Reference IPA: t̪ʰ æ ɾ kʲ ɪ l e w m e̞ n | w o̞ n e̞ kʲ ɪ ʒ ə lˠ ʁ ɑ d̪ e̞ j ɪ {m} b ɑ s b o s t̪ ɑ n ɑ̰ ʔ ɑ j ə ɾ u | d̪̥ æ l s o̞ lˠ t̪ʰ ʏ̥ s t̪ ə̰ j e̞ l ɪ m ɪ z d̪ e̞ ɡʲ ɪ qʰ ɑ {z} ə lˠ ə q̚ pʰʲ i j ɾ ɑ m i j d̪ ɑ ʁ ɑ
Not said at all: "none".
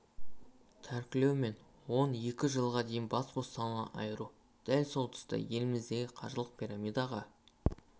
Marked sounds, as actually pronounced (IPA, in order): n, ʒ

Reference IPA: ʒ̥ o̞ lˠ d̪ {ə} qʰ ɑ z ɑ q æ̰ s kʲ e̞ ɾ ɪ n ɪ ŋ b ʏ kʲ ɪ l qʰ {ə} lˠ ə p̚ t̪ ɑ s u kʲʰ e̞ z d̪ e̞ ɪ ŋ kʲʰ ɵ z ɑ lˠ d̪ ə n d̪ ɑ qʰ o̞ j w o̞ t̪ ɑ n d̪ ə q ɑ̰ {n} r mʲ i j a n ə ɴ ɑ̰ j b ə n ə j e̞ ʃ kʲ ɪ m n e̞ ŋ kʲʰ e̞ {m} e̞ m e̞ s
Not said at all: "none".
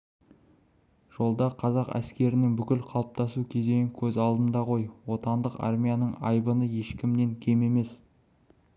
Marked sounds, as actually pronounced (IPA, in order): ɑ, ɑ, none, m

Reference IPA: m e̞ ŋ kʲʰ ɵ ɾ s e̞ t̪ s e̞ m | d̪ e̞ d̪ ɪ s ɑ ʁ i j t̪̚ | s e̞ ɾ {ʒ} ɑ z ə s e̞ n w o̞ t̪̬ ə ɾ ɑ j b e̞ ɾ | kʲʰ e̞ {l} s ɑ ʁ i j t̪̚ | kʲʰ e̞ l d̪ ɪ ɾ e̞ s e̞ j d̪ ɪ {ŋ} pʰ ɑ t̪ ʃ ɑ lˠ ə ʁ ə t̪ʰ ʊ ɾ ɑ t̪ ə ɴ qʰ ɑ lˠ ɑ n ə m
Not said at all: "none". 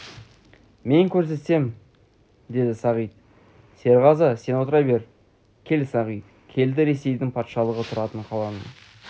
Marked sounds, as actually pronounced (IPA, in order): ʁ, l, ŋ

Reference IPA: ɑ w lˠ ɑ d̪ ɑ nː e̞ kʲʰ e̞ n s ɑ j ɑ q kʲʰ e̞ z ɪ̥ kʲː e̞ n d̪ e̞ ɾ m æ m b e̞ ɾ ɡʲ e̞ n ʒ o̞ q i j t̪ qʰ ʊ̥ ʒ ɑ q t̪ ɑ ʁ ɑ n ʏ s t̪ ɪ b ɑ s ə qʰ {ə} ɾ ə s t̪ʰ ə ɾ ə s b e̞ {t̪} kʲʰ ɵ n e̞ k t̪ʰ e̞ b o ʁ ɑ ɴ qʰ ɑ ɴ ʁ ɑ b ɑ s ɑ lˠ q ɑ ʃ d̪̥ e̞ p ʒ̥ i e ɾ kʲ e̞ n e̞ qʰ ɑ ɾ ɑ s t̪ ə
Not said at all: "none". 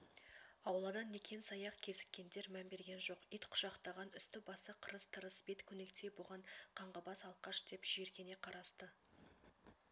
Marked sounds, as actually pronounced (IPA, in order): ə, t̪

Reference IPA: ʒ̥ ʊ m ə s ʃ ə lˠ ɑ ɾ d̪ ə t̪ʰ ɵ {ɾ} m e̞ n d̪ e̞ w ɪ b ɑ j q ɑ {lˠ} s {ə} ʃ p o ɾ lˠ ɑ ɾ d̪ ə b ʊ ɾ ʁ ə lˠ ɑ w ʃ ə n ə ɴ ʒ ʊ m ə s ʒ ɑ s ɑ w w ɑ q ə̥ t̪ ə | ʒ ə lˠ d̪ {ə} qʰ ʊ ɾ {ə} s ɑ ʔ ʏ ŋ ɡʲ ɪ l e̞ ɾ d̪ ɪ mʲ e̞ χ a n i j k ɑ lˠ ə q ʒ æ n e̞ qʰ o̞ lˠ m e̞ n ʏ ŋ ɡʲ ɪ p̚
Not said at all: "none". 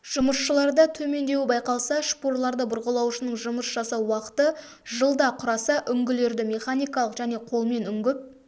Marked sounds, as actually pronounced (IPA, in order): none, lˠ, ɑ, ɑ, ɑ

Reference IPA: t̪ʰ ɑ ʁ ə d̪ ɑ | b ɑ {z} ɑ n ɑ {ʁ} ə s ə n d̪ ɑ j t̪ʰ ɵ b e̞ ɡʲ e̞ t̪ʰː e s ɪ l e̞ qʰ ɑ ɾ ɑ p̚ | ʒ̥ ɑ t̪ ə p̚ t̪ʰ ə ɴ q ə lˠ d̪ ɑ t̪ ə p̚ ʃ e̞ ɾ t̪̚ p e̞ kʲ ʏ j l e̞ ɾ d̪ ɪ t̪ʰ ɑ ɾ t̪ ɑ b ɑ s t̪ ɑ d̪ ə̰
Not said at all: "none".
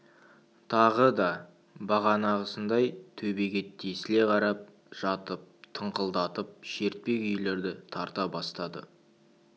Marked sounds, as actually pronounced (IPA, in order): ʁ, ʁ

